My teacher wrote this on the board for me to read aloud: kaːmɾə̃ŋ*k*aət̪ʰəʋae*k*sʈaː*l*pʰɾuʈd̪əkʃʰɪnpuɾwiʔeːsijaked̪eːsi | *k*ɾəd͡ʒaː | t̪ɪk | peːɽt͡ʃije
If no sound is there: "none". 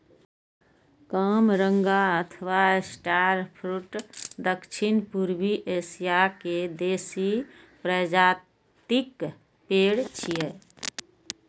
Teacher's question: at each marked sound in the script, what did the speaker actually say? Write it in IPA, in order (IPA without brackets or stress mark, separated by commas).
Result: ɡ, none, ɾ, p